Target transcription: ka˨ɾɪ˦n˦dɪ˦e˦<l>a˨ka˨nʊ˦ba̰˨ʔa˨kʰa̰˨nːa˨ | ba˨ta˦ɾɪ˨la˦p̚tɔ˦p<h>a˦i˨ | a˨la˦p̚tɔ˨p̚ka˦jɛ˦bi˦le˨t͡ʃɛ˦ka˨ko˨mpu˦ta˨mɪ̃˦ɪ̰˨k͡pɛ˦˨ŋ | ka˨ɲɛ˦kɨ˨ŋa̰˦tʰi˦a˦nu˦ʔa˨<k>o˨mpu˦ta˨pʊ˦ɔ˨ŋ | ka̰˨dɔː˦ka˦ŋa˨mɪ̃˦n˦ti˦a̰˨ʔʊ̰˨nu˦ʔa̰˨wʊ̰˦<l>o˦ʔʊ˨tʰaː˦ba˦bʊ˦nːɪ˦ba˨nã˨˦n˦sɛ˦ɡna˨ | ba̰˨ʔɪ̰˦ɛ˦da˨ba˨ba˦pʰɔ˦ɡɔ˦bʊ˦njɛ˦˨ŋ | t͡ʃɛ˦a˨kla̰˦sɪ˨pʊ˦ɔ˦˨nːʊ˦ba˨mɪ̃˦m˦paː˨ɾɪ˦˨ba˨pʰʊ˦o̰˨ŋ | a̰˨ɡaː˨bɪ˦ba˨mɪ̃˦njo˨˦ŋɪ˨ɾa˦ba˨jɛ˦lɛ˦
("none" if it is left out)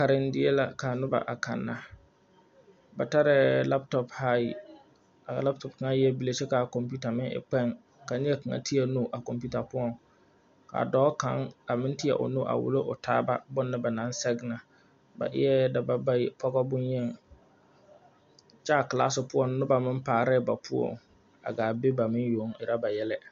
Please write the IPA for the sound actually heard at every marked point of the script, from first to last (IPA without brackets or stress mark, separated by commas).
l, h, k, l